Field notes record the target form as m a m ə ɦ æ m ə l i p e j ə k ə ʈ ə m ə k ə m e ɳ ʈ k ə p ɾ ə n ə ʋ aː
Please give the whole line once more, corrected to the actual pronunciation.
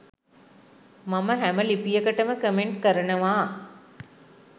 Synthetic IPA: m a m ə ɦ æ m ə l i p i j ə k ə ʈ ə m ə k ə m e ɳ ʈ k ə ɾ ə n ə ʋ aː